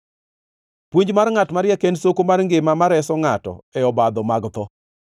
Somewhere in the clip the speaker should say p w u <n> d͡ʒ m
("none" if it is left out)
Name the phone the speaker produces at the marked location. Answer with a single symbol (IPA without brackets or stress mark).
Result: ɲ